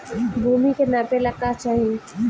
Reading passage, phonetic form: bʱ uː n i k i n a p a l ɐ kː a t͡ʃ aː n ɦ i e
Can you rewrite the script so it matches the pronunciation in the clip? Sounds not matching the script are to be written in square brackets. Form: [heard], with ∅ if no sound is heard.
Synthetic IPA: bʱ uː [m] i k [e] n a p [e] l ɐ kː a t͡ʃ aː [∅] ɦ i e